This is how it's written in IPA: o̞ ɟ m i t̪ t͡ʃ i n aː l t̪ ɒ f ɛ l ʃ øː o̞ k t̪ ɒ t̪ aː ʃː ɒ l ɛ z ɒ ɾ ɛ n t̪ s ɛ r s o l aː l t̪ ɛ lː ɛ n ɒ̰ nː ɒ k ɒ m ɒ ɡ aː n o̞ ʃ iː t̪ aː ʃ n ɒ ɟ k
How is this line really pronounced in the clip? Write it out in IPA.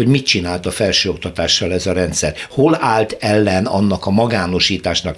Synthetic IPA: o̞ ɟ m i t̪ t͡ʃ i n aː l t̪ ɒ f ɛ l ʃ øː o̞ k t̪ ɒ t̪ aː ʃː ɒ l ɛ z ɒ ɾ ɛ n t̪ s ɛ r h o l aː l t̪ ɛ lː ɛ n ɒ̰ nː ɒ k ɒ m ɒ ɡ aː n o̞ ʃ iː t̪ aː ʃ n ɒ k